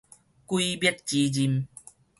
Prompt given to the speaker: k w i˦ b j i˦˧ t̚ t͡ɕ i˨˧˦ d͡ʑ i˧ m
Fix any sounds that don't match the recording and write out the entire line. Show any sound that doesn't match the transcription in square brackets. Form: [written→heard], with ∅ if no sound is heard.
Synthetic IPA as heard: k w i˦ b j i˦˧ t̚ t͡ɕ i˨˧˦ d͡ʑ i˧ m